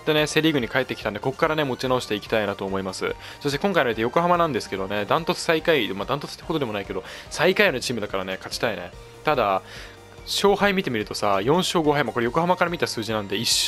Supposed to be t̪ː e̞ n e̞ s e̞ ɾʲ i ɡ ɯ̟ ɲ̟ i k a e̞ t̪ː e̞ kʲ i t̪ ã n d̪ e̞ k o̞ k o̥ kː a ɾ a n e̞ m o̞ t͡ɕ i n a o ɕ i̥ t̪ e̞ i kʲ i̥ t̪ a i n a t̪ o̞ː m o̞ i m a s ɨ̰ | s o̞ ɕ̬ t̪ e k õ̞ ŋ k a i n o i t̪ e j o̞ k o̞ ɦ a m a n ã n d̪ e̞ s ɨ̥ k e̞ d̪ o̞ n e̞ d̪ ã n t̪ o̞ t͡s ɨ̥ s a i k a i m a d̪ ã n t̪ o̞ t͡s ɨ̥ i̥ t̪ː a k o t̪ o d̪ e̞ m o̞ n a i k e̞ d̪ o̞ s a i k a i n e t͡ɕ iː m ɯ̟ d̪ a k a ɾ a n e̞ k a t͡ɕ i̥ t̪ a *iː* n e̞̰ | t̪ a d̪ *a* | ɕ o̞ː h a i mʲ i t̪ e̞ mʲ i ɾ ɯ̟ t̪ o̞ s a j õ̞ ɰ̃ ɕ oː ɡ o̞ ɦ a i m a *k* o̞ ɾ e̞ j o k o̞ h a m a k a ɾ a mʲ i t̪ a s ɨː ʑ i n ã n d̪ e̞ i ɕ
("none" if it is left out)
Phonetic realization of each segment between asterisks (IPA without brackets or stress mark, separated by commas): i, a, k